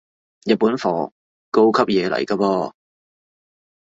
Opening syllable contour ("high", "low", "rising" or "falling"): low